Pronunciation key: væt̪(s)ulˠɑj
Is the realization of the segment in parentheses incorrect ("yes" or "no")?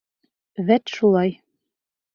yes